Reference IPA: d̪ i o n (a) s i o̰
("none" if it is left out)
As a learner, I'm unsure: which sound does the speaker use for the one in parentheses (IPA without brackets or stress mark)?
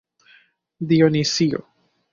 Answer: i